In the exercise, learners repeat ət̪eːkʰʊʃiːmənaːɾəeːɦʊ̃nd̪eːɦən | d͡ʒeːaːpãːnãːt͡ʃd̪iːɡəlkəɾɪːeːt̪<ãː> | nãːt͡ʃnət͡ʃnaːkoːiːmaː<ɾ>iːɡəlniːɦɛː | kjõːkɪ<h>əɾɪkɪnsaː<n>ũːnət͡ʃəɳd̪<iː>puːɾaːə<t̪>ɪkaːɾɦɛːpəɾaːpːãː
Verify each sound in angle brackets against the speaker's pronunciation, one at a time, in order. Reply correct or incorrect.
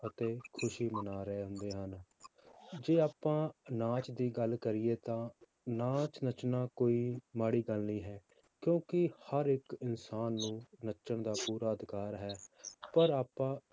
correct, incorrect, correct, incorrect, incorrect, incorrect

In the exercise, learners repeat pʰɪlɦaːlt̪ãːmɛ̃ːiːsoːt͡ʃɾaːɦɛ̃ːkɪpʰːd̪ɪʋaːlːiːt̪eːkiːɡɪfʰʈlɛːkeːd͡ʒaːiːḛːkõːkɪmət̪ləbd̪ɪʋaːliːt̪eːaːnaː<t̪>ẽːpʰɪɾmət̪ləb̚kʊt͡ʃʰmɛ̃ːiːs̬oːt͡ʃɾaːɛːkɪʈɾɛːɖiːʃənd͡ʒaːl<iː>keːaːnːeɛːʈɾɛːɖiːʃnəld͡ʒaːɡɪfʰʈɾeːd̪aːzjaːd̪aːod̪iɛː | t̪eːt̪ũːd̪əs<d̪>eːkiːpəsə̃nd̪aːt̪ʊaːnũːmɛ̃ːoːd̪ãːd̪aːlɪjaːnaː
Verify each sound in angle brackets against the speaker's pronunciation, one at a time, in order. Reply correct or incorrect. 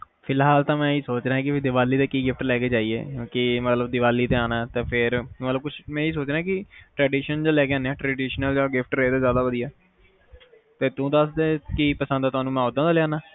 correct, incorrect, correct

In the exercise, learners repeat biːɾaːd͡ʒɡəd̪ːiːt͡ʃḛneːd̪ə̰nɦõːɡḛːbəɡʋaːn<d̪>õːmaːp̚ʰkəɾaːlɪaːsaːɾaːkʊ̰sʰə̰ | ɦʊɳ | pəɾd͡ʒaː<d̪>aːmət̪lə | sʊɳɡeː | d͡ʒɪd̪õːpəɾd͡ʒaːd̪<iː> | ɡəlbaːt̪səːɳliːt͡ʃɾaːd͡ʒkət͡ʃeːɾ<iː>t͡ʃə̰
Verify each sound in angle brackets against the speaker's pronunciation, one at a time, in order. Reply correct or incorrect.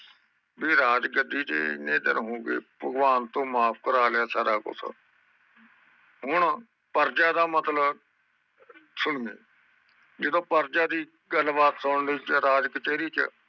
incorrect, correct, correct, correct

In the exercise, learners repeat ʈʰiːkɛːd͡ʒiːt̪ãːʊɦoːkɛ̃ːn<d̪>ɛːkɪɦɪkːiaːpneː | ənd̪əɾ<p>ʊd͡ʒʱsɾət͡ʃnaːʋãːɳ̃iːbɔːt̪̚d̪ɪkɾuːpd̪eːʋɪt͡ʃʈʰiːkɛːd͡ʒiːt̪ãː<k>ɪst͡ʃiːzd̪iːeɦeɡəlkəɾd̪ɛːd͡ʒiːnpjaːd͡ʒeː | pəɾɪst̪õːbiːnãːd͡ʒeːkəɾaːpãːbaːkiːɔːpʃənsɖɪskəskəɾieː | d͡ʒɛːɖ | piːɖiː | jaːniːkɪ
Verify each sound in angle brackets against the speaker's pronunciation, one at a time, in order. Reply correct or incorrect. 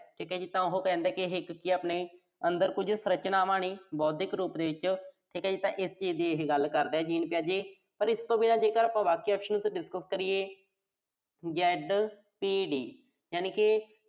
correct, incorrect, incorrect

